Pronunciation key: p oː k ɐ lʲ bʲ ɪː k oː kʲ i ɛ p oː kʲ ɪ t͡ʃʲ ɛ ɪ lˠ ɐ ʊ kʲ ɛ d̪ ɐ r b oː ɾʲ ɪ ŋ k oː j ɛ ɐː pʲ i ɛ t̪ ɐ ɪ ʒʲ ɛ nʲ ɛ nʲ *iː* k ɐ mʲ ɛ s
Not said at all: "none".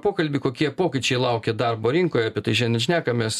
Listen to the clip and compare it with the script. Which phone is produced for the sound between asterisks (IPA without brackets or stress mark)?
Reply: æː